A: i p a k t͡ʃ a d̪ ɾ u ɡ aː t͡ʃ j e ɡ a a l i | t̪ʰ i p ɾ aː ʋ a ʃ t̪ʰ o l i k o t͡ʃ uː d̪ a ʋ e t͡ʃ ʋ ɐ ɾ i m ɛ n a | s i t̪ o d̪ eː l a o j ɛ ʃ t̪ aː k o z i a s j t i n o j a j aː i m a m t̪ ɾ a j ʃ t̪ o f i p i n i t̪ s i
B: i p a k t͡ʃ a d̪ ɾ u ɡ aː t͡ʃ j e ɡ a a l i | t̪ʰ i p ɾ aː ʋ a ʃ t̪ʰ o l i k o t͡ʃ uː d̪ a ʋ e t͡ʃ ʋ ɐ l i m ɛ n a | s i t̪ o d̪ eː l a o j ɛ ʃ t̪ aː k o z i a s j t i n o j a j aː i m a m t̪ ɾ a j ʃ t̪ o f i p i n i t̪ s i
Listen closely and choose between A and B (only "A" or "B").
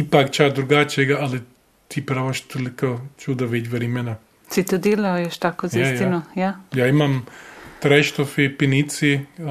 A